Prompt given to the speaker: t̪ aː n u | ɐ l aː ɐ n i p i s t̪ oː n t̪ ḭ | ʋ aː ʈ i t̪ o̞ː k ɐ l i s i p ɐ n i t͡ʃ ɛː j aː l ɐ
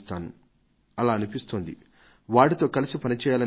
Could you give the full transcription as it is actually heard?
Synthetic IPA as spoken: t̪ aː n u | ɐ l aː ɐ n i p i s t̪ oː n d̪ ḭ | ʋ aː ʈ i t̪ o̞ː k ɐ l i s i p ɐ n i t͡ʃ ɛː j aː l ɐ